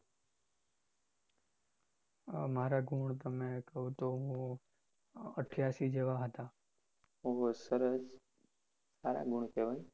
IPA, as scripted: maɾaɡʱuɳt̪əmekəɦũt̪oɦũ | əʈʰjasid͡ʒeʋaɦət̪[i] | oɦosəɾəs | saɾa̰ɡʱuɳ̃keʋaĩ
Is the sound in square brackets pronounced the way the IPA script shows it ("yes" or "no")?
no